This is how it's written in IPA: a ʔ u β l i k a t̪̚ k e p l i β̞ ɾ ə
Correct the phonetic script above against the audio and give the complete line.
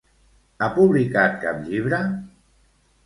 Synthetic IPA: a p u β l i k a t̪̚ k a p ʎ i β̞ ɾ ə